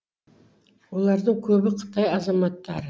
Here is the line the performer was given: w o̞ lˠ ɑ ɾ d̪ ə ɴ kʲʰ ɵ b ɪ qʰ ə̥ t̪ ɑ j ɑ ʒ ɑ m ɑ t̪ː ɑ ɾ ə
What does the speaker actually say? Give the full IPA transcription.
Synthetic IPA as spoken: w o̞ lˠ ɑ ɾ d̪ ə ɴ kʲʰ ɵ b ɪ qʰ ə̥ t̪ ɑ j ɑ z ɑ m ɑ t̪ː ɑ ɾ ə

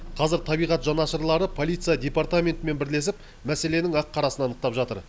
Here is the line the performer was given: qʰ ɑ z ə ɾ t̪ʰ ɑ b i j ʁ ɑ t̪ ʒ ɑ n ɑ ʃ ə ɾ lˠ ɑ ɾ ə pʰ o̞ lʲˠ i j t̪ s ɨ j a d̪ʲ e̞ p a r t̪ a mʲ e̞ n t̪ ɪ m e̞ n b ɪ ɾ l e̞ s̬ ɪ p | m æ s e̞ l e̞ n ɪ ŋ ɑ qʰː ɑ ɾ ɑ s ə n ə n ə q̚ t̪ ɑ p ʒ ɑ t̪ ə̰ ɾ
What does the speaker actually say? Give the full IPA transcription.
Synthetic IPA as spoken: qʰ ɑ z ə ɾ t̪ʰ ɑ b i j ʁ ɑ t̪ ʒ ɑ n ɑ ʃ ə ɾ lˠ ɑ ɾ ə pʰ o̞ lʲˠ i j t̪ s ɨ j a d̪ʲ e̞ p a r t̪ a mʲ e̞ n t̪ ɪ m e̞ n b ɪ ɾ l e̞ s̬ ɪ p | m æ s e̞ l e̞ n ɪ ŋ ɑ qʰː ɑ ɾ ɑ s ə n ɑ n ə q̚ t̪ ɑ p ʒ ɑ t̪ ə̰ ɾ

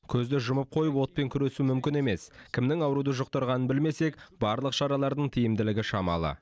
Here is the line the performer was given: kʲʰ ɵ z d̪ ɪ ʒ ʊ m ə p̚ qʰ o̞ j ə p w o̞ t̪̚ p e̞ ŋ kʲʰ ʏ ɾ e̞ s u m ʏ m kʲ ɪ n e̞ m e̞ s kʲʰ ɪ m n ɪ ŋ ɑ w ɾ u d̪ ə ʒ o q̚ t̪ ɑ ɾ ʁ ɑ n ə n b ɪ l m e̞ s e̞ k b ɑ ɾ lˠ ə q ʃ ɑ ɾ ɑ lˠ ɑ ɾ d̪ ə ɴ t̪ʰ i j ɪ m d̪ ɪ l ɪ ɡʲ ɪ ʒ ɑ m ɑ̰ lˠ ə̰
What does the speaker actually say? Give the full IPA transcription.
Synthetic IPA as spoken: kʲʰ ɵ z d̪ ɪ ʒ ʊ m ə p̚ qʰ o̞ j ə p w o̞ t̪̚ p e̞ ŋ kʲʰ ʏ ɾ e̞ s u m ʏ m kʲ ɪ n e̞ m e̞ s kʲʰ ɪ m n ɪ ŋ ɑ w ɾ u d̪ ə ʒ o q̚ t̪ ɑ ɾ ʁ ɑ n ə n b ɪ l m e̞ s e̞ k b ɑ ɾ lˠ ə q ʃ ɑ ɾ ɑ lˠ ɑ ɾ d̪ ə ɴ t̪ʰ i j ɪ m d̪ ɪ l ɪ ɡʲ ɪ ʃ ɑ m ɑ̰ lˠ ə̰

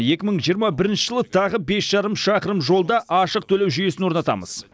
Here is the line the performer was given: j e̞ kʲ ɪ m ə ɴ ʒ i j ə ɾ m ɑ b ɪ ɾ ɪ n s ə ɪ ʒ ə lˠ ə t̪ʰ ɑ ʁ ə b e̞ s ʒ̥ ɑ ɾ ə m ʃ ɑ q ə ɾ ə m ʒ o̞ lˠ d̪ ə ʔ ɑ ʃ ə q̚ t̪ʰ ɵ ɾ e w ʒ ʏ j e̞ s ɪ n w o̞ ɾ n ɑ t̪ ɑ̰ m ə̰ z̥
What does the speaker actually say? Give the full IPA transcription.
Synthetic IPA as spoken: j e̞ kʲ ɪ m ə ɴ ʒ i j ə ɾ m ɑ b ɪ ɾ ɪ n ʃ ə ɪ ʒ ə lˠ ə t̪ʰ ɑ ʁ ə b e̞ s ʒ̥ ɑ ɾ ə m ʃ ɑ q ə ɾ ə m ʒ o̞ lˠ d̪ ɑ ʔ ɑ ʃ ə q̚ t̪ʰ ɵ l e w ʒ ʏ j e̞ s ɪ n w o̞ ɾ n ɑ t̪ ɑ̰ m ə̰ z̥

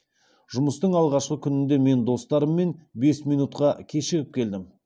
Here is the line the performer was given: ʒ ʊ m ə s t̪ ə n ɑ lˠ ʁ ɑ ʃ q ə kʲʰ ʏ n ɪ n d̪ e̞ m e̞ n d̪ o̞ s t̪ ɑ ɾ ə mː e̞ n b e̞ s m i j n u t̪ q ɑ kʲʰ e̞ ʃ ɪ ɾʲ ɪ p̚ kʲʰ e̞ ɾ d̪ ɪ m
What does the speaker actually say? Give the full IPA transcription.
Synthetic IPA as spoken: ʒ ʊ m ə s t̪ ə ɴ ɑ lˠ ʁ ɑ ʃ q ə kʲʰ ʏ n ɪ n d̪ e̞ m e̞ n d̪ o̞ s t̪ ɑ ɾ ə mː e̞ n b e̞ s m i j n u t̪ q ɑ kʲʰ e̞ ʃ ɪ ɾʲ ɪ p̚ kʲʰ e̞ l d̪ ɪ m

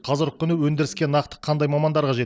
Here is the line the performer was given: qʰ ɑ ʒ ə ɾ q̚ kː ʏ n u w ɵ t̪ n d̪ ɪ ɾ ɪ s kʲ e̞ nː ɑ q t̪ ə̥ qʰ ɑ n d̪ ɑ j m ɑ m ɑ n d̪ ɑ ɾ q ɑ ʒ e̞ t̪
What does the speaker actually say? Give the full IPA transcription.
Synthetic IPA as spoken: qʰ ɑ z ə ɾ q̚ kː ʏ n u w ɵ n d̪ ɪ ɾ ɪ s kʲ e̞ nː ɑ q t̪ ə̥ qʰ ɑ n d̪ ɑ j m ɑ m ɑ n d̪ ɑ ɾ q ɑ ʒ e̞ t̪

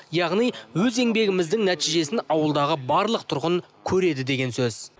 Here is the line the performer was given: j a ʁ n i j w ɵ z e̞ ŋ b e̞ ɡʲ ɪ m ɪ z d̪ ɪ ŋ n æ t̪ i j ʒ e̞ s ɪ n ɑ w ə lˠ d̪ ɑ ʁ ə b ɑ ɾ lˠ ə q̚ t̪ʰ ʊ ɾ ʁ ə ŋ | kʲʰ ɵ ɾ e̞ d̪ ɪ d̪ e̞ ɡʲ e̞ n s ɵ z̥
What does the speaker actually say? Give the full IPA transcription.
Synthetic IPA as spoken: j ɑ ʁ n i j w ɵ z e̞ ŋ b e̞ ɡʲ ɪ m ɪ z d̪ ɪ ŋ n æ t̪ i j ʒ e̞ s ɪ n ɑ w ə lˠ d̪ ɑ ʁ ə b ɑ ɾ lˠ ə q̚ t̪ʰ ʊ ɾ ʁ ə ŋ | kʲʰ ɵ ɾ e̞ d̪ ɪ d̪ e̞ ɡʲ e̞ n s ɵ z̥

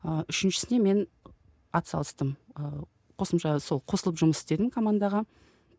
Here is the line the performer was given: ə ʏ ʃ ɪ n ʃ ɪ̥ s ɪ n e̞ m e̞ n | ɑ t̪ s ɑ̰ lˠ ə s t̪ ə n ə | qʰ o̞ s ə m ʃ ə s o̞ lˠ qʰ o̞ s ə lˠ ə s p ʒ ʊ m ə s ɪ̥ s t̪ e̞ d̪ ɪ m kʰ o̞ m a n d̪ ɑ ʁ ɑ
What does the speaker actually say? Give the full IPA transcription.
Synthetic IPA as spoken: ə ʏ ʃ ɪ n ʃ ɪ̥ s ɪ n e̞ m e̞ n | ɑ t̪ s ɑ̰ lˠ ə s t̪ ə m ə | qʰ o̞ s ə m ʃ ɑ s o̞ lˠ qʰ o̞ s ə lˠ ə p ʒ ʊ m ə s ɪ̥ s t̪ e̞ d̪ ɪ m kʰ o̞ m a n d̪ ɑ ʁ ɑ

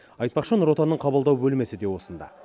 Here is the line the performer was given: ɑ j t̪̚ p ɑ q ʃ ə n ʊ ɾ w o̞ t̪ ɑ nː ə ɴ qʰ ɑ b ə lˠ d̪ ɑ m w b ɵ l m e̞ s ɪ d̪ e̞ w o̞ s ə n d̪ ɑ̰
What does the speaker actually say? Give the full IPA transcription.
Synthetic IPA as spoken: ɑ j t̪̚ p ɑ q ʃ ə n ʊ ɾ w o̞ t̪ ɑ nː ə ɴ qʰ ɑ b ə lˠ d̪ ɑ w b ɵ l m e̞ s ɪ d̪ e̞ w o̞ s ə n d̪ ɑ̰

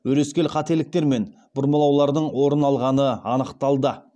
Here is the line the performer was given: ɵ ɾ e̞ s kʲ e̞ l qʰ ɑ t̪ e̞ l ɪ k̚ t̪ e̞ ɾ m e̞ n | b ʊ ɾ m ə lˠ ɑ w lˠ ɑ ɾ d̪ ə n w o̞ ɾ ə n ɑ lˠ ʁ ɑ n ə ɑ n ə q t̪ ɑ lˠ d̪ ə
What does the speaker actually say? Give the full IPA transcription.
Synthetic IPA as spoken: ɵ ɾ e̞ s kʲ e̞ l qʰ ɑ t̪ e̞ l ɪ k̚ t̪ e̞ ɾ m e̞ n | b ʊ ɾ m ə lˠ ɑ w lˠ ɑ ɾ d̪ ə ɴ w o̞ ɾ ə n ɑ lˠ ʁ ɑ n ə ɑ n ə q t̪ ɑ lˠ d̪ ə

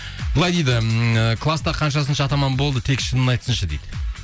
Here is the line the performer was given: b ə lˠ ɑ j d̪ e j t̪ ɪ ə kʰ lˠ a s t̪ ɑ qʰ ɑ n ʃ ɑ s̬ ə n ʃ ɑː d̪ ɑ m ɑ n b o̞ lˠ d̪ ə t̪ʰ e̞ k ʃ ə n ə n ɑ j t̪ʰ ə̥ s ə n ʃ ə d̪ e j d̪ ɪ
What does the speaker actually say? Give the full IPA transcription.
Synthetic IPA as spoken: b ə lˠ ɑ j d̪ e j d̪ ɪ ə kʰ lˠ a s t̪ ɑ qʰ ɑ n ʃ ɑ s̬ ə n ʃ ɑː t̪ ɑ m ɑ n b o̞ lˠ d̪ ə t̪ʰ e̞ k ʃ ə n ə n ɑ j t̪ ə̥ s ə n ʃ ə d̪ e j d̪ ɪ

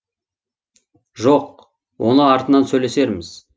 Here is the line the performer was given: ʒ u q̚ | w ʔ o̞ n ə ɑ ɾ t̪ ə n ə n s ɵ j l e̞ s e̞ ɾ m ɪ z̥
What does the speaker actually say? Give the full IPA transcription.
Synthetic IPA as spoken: ʒ o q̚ | w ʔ o̞ n ə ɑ ɾ t̪ ə n ɑ n s ɵ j l e̞ s e̞ ɾ m ɪ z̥

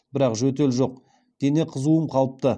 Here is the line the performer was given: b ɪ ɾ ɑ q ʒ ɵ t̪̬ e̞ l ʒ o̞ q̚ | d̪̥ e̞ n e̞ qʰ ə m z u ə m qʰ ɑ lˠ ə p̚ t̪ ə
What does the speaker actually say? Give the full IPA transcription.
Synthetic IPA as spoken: b ɪ ɾ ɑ q ʒ ɵ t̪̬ e̞ l ʒ o̞ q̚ | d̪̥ e̞ n e̞ qʰ ə z u ə m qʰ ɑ lˠ ə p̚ t̪ ə

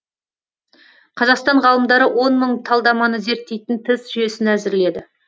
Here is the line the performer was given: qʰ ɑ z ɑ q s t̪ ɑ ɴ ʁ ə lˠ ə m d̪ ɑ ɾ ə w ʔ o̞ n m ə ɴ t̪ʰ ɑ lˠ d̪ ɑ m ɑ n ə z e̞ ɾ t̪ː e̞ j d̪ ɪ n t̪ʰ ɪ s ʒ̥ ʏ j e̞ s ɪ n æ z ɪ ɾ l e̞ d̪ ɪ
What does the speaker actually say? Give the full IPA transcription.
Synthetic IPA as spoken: qʰ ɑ z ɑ q s t̪ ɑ ɴ ʁ ɑ lˠ ə m d̪ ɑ ɾ ə w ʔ o̞ n m ə ɴ t̪ʰ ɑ lˠ d̪ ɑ m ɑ n ə z e̞ ɾ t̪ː e̞ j t̪ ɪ n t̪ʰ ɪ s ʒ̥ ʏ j e̞ s ɪ n æ z ɪ ɾ l e̞ d̪ ɪ

